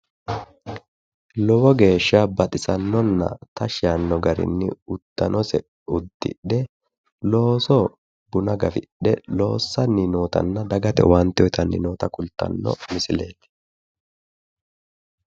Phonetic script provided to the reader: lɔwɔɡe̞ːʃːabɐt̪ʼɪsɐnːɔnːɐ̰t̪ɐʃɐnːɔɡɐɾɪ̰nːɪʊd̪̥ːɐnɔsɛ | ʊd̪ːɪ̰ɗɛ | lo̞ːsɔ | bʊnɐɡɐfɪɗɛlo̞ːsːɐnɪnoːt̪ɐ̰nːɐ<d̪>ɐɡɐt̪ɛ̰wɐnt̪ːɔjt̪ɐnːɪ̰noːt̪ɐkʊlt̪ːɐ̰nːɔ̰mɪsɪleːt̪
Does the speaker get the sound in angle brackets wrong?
no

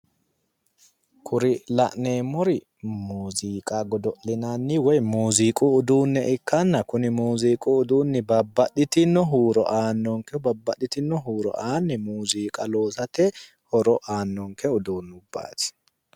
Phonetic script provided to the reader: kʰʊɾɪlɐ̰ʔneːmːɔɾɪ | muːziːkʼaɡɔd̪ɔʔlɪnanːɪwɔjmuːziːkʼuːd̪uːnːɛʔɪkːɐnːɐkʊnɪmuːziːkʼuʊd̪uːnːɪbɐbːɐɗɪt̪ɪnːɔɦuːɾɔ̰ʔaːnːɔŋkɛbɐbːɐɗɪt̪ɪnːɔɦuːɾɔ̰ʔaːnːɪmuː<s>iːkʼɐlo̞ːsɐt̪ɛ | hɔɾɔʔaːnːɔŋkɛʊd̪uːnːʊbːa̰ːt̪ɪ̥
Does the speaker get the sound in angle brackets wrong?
yes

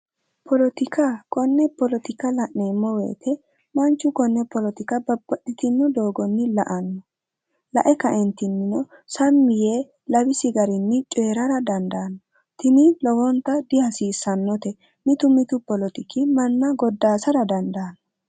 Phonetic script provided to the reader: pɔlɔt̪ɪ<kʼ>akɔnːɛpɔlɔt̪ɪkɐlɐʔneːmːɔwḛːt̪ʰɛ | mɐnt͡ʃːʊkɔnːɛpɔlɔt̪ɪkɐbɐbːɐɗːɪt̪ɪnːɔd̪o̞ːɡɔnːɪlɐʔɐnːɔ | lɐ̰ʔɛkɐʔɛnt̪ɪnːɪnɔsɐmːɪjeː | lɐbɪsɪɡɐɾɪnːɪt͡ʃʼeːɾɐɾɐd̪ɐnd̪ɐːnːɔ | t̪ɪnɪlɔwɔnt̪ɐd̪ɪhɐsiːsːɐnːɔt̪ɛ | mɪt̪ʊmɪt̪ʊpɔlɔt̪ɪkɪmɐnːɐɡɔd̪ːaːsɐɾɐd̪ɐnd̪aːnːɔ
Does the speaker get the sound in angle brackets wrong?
yes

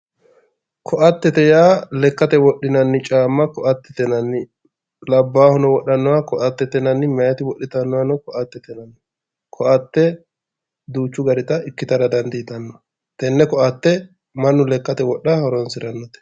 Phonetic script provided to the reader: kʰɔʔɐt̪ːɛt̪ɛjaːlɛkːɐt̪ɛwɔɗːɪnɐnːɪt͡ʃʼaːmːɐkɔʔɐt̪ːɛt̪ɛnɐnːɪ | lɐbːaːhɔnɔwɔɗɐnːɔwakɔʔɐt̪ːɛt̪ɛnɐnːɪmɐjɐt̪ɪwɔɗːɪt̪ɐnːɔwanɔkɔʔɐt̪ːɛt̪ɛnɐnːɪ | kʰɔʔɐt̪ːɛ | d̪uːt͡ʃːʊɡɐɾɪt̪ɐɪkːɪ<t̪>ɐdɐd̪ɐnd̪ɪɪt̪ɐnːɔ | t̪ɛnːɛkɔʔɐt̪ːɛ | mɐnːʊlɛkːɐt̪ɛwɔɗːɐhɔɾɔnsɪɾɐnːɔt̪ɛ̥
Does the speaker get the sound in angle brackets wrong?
no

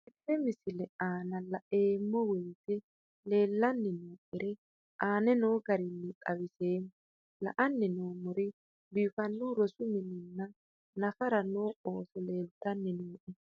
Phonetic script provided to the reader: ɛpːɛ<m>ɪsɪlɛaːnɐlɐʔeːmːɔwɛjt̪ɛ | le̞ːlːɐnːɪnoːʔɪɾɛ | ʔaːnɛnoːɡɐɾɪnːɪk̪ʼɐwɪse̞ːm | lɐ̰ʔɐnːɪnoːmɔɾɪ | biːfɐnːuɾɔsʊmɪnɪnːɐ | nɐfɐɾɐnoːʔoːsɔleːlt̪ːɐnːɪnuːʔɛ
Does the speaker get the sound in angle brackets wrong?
no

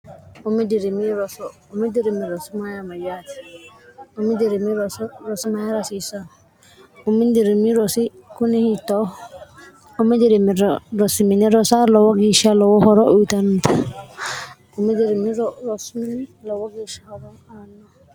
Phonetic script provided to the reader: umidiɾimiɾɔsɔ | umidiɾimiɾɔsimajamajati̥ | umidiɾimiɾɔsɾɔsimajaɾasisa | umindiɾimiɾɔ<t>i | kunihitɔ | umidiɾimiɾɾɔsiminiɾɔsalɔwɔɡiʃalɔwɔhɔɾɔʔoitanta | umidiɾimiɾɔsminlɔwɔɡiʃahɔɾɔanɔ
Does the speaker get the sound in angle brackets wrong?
yes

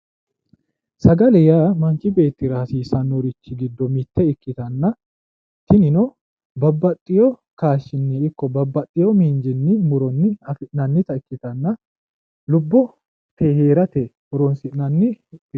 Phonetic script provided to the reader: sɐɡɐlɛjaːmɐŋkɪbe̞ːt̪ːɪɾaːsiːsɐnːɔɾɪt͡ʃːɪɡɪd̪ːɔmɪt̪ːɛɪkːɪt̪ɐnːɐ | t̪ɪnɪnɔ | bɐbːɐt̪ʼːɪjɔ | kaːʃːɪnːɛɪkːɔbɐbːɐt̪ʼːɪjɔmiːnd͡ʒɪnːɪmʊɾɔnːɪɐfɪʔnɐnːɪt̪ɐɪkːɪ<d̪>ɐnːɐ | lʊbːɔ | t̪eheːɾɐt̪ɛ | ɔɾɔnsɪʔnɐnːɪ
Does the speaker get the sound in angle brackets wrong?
yes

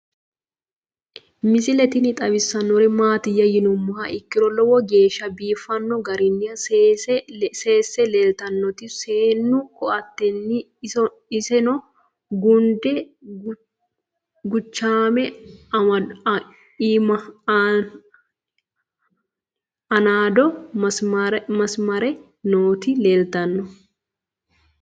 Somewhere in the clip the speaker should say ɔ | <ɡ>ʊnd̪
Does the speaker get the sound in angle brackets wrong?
no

